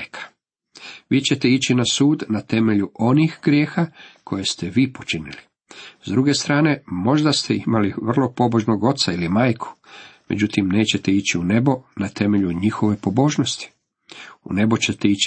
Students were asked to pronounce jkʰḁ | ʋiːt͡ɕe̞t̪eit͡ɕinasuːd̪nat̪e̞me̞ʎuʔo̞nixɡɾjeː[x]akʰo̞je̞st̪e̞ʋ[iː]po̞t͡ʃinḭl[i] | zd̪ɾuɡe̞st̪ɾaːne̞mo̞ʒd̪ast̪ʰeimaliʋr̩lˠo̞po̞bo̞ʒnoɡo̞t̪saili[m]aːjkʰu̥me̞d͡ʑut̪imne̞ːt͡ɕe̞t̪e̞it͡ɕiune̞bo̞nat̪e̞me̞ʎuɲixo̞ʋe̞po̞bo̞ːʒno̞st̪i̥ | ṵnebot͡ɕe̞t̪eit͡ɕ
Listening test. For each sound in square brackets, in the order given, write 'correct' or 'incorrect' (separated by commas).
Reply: correct, correct, correct, correct